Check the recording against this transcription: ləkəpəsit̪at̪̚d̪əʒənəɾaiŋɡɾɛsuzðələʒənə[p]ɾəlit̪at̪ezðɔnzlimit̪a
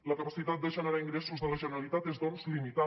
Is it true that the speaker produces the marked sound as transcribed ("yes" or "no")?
no